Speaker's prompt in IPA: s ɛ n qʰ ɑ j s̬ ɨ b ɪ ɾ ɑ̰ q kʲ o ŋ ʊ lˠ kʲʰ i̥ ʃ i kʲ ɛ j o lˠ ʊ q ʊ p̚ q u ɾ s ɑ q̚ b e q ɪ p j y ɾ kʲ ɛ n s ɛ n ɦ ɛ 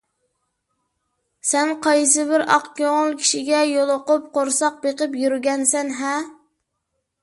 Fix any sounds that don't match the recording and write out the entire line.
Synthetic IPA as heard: s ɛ n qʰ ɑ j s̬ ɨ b ɪ ɾ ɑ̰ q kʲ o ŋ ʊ lˠ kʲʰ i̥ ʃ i ɡʲ ɛ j o lˠ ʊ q ʊ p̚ q o ɾ s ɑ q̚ b e q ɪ p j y ɾ ɡʲ ɛ n s ɛ n ɦ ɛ